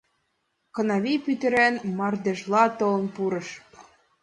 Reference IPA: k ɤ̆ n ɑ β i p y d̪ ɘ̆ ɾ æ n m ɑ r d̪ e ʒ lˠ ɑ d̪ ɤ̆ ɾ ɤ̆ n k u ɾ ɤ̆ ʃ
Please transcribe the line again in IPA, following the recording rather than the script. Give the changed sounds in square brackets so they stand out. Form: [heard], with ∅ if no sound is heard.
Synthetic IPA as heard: k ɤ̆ n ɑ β i p y [t̪] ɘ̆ ɾ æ n m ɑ r d̪ e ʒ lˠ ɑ [t̪] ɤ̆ [l] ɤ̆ n [p] u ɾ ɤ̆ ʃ